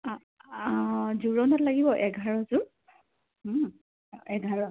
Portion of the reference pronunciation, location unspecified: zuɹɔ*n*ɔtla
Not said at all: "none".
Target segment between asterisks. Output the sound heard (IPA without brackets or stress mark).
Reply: n